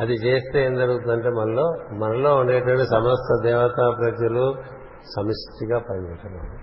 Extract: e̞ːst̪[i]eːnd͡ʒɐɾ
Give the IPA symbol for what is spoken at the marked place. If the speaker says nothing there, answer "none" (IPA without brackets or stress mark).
e